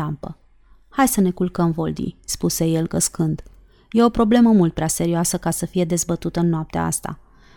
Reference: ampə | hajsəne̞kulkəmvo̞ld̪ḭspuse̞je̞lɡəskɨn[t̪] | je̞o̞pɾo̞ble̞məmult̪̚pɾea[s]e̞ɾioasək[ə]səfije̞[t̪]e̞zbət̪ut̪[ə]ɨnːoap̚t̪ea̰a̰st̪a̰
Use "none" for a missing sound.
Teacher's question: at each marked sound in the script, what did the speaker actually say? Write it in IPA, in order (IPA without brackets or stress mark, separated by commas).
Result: d̪, s, a, d̪, ə